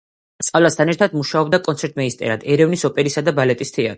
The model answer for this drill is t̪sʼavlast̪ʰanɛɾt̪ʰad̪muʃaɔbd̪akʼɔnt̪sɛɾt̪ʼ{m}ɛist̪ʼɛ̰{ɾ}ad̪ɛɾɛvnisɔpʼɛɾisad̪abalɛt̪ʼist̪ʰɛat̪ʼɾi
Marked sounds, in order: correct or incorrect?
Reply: correct, correct

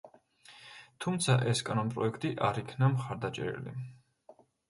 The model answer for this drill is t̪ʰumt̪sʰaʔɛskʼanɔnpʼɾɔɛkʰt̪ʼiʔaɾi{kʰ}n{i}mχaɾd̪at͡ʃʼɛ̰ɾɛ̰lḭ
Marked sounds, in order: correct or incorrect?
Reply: correct, incorrect: a

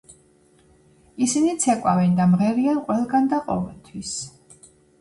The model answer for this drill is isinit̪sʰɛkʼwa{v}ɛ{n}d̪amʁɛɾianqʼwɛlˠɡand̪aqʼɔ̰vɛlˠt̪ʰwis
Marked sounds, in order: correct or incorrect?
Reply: correct, correct

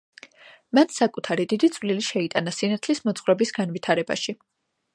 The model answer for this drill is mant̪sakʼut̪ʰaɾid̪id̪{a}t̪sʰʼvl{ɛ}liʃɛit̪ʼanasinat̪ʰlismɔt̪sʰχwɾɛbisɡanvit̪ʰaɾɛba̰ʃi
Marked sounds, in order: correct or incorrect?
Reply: incorrect: i, incorrect: i

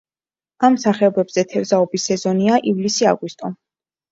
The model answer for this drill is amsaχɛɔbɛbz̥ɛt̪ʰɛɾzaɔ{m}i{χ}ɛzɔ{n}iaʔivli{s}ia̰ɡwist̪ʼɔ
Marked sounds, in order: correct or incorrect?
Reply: incorrect: b, incorrect: s, correct, correct

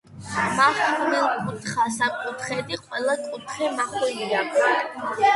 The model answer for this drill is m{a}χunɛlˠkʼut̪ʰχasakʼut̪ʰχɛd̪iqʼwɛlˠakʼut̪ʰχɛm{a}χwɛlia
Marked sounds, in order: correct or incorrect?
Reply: correct, correct

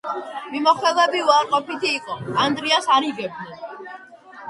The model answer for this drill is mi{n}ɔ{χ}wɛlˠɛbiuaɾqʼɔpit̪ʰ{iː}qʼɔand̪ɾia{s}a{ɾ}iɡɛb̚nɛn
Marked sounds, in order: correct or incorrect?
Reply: incorrect: m, correct, correct, correct, correct

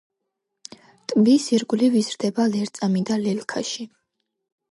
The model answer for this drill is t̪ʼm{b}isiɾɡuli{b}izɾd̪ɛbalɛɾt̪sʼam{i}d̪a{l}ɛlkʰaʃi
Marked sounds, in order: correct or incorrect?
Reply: correct, incorrect: v, correct, correct

